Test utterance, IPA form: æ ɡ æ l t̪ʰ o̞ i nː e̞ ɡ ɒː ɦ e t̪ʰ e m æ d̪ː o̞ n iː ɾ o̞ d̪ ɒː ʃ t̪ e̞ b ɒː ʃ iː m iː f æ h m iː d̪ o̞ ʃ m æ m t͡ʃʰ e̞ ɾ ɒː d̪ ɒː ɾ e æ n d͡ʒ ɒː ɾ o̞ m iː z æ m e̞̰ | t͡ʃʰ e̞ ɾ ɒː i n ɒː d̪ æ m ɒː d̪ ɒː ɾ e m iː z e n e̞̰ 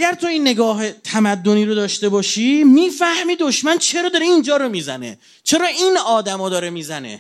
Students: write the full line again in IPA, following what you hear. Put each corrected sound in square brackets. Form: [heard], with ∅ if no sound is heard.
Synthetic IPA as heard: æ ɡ æ [ɾ] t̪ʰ o̞ i nː e̞ ɡ ɒː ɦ e t̪ʰ [æ] m æ d̪ː o̞ n iː ɾ o̞ d̪ ɒː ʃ t̪ e̞ b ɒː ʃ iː m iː f æ h m iː d̪ o̞ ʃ m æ [n] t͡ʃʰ e̞ ɾ ɒː d̪ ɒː ɾ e [i] n d͡ʒ ɒː ɾ o̞ m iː z æ [n] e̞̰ | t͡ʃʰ e̞ ɾ ɒː i n ɒː d̪ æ m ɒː d̪ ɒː ɾ e m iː z [æ] n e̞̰